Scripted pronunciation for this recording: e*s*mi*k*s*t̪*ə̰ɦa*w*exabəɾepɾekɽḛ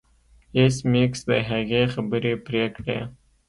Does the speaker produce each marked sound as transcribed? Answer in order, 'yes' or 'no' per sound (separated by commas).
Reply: yes, yes, no, no